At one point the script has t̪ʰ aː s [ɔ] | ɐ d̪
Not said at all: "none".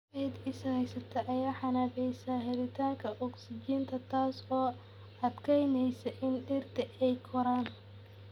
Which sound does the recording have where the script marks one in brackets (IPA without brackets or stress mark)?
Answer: ɔː